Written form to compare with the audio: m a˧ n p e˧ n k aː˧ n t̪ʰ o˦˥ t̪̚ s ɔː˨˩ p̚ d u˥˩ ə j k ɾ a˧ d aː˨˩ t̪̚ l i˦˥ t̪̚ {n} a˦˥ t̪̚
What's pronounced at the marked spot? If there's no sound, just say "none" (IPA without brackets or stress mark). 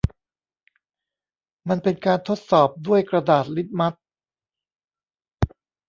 m